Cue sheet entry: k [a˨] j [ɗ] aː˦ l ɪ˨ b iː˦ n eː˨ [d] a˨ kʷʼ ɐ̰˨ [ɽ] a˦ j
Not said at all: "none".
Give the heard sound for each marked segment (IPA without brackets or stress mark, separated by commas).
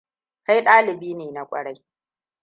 a˦, ɗ, n, ɽ